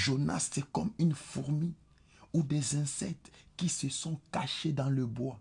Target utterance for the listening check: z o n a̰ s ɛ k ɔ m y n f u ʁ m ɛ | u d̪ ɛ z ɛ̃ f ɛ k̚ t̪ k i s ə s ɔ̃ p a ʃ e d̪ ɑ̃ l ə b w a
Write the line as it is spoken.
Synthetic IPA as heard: ʒ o n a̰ s ɛ k ɔ m y n f u ʁ m i | u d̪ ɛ z ɛ̃ s ɛ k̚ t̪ k i s ə s ɔ̃ k a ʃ e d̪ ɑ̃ l ə b w a

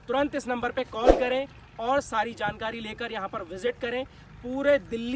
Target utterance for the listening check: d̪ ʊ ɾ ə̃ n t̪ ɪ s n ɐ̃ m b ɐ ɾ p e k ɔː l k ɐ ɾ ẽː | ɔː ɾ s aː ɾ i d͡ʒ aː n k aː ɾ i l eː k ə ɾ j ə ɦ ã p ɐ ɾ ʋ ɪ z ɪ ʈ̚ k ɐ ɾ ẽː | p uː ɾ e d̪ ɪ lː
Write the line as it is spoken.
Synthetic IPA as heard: t̪ ʊ ɾ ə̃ n t̪ ɪ s n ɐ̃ m b ə ɾ p e k ɔː l k ɐ ɾ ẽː | ɔː ɾ s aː ɾ i d͡ʒ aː n k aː ɾ i l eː k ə ɾ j ɐ ɦ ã p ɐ ɾ ʋ ɪ z ɪ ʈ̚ k ɐ ɾ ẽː | p uː ɾ e d̪ ɪ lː

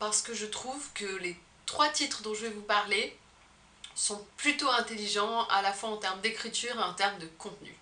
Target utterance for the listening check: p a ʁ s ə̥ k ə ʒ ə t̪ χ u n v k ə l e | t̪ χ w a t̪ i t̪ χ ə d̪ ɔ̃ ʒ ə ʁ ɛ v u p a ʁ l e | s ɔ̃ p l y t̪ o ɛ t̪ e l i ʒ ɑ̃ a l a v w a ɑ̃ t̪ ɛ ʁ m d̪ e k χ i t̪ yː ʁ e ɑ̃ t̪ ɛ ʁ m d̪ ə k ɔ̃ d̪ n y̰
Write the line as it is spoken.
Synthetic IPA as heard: p a ʁ s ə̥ k ə ʒ ə t̪ χ u v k ə l e | t̪ χ w a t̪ i t̪ χ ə d̪ ɔ̃ ʒ ə v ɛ v u p a ʁ l e | s ɔ̃ p l y t̪ o ɛ̃ t̪ e l i ʒ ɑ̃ a l a f w a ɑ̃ t̪ ɛ ʁ m d̪ e k χ i t̪ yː ʁ e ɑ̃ t̪ ɛ ʁ m d̪ ə k ɔ̃ t̪ n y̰

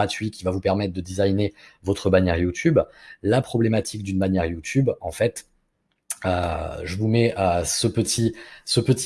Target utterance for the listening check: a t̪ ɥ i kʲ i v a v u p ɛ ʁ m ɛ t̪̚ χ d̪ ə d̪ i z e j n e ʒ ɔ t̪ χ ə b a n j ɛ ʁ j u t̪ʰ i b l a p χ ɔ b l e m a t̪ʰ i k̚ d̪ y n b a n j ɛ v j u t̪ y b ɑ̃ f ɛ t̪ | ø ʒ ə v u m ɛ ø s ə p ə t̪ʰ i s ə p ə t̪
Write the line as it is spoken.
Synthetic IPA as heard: a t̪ ɥ i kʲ i v a v u p ɛ ʁ m ɛ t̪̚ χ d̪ ə d̪ i z a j n e v ɔ t̪ χ ə b a n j ɛ ʁ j u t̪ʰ y b l a p χ ɔ b l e m a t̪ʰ i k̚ d̪ y n b a n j ɛ ʁ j u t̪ y b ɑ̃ f ɛ t̪ | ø ʒ ə v u m ɛ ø s ə p ə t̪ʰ i s ə p ə t̪

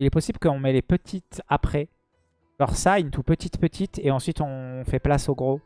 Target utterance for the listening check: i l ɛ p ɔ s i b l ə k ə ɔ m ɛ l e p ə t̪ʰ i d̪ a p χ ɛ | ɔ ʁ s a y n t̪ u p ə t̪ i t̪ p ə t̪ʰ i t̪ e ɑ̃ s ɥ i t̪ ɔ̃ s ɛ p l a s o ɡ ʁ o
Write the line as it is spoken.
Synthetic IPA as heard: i l ɛ p ɔ s i b l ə k ə ɔ̃ m ɛ l e p ə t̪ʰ i t̪ a p χ ɛ | ɔ ʁ s a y n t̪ u p ə t̪ i t̪ p ə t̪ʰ i t̪ e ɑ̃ s ɥ i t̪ ɔ̃ f ɛ p l a s o ɡ ʁ o

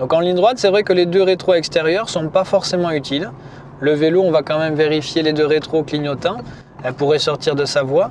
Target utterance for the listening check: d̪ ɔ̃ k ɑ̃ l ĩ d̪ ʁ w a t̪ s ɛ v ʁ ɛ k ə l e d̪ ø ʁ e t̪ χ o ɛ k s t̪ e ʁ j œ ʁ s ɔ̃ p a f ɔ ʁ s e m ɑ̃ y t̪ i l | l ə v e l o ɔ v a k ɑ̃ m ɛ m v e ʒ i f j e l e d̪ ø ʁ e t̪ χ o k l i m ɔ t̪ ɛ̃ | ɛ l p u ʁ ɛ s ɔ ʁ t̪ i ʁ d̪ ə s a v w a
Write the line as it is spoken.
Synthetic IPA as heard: d̪ ɔ̃ k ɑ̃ l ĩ d̪ ʁ w a t̪ s ɛ v ʁ ɛ k ə l e d̪ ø ʁ e t̪ χ o ɛ k s t̪ e ʁ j œ ʁ s ɔ̃ p a f ɔ ʁ s e m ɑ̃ y t̪ i l | l ə v e l o ɔ̃ v a k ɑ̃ m ɛ m v e ʁ i f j e l e d̪ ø ʁ e t̪ χ o k l i ɲ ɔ t̪ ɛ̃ | ɛ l p u ʁ ɛ s ɔ ʁ t̪ i ʁ d̪ ə s a v w a

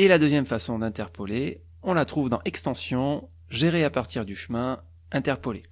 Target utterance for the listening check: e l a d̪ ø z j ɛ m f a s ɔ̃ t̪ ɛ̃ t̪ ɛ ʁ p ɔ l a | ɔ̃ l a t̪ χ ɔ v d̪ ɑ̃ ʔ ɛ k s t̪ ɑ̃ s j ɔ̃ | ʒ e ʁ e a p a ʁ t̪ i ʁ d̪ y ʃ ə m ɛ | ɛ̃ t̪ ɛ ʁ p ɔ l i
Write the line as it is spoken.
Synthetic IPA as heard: e l a d̪ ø z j ɛ m f a s ɔ̃ d̪ ɛ̃ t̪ ɛ ʁ p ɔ l e | ɔ̃ l a t̪ χ u v d̪ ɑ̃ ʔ ɛ k s t̪ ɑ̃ s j ɔ̃ | ʒ e ʁ e a p a ʁ t̪ i ʁ d̪ y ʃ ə m ɛ̃ | ɛ̃ t̪ ɛ ʁ p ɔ l e

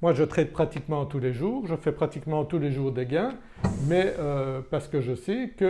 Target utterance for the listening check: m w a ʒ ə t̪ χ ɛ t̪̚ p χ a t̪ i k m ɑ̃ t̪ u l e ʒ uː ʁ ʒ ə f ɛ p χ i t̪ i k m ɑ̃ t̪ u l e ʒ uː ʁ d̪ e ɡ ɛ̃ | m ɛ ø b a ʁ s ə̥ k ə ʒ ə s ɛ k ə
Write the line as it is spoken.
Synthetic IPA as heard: m w a ʒ ə t̪ χ ɛ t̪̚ p χ a t̪ i k m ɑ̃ t̪ u l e ʒ uː ʁ ʒ ə f ɛ p χ a t̪ i k m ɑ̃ t̪ u l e ʒ uː ʁ d̪ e ɡ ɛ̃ | m ɛ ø p a ʁ s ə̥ k ə ʒ ə s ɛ k ə

